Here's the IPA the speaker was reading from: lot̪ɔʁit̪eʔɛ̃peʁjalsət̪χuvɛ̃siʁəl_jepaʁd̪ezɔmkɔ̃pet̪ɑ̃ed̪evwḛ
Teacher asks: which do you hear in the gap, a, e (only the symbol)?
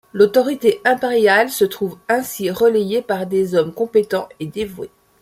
e